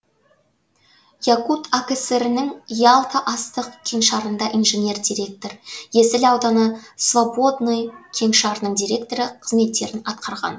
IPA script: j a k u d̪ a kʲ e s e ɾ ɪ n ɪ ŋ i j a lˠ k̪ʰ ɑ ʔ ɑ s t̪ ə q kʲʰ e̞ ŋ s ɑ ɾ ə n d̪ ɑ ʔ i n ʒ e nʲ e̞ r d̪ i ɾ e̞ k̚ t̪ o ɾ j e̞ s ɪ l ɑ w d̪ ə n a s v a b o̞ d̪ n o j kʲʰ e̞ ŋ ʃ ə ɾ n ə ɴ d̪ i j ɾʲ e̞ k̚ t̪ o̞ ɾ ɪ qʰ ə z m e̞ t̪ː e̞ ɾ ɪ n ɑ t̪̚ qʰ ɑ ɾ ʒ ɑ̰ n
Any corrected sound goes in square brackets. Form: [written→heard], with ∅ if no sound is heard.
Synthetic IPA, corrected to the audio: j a k u [d̪→t̪] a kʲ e s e ɾ ɪ n ɪ ŋ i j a lˠ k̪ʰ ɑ ʔ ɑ s t̪ ə q kʲʰ e̞ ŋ [s→ʃ] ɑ ɾ ə n d̪ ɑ ʔ i n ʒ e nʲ e̞ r d̪ i ɾ e̞ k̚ t̪ o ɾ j e̞ s ɪ l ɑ w d̪ [ə→ɑ] n [a→ə] s v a b o̞ d̪ n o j kʲʰ e̞ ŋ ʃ [ə→ɑ] ɾ n ə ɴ d̪ i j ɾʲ e̞ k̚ t̪ o̞ ɾ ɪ qʰ ə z m e̞ t̪ː e̞ ɾ ɪ n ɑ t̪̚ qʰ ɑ ɾ [ʒ→ʁ] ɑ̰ n